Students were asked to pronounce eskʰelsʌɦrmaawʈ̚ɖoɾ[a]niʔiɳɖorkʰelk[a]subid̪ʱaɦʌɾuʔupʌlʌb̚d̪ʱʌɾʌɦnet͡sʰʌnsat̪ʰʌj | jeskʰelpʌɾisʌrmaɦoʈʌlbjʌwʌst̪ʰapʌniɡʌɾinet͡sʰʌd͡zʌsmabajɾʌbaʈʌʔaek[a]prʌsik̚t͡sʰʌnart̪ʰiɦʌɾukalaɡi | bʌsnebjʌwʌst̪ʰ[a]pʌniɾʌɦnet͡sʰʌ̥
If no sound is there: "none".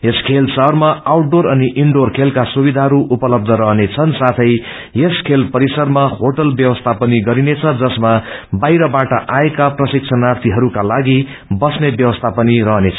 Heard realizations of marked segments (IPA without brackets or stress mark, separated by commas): ʌ, a, a, a